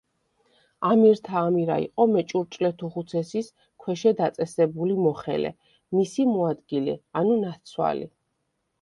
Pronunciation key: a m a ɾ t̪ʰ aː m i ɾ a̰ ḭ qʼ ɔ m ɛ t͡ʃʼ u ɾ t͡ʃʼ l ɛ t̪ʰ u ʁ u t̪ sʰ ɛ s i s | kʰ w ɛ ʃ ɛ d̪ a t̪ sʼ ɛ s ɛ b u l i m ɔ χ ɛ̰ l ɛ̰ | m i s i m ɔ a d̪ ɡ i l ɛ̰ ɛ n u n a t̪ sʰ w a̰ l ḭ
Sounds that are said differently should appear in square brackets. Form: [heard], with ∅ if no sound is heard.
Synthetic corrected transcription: a m [i] ɾ t̪ʰ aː m i ɾ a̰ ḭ qʼ ɔ m ɛ t͡ʃʼ u ɾ t͡ʃʼ l ɛ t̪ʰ u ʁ u t̪ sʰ ɛ s i s | kʰ w ɛ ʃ ɛ d̪ a t̪ sʼ ɛ s ɛ b u l i m ɔ χ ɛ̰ l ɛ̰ | m i s i m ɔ a d̪ ɡ i l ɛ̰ [a] n u n a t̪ sʰ w a̰ l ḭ